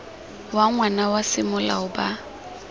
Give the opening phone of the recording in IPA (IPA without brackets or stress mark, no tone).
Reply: w